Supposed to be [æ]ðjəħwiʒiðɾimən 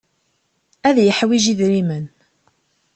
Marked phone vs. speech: correct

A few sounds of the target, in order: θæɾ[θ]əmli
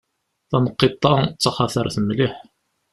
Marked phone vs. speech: correct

